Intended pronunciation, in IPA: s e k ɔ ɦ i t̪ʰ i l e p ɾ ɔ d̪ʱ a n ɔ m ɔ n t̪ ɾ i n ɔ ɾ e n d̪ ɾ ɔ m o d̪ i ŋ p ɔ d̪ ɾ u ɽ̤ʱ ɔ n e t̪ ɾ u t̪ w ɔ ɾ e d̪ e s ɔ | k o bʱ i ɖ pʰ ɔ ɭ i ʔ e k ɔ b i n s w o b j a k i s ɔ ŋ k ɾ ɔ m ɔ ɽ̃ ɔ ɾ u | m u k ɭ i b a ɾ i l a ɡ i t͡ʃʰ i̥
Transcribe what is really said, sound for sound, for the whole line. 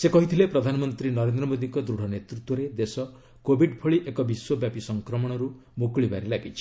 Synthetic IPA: s e k ɔ ɦ i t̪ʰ i l e p ɾ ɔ d̪ʱ a n ɔ m ɔ n t̪ ɾ i n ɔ ɾ e n d̪ ɾ ɔ m o d̪ i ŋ k ɔ d̪ ɾ u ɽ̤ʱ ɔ n e t̪ ɾ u t̪ w ɔ ɾ e d̪ e s ɔ | k o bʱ i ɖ pʰ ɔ ɭ i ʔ e k ɔ b i s w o b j a p i s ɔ ŋ k ɾ ɔ m ɔ ɽ̃ ɔ ɾ u | m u k ɭ i b a ɾ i l a ɡ i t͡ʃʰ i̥